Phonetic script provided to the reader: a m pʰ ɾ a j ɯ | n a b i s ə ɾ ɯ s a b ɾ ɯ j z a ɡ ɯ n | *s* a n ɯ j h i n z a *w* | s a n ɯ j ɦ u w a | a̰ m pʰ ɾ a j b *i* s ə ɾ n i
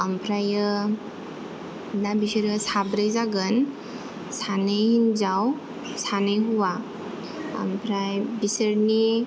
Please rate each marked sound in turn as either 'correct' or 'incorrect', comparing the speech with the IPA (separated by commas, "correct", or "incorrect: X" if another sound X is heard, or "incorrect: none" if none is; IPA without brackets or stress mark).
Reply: correct, correct, correct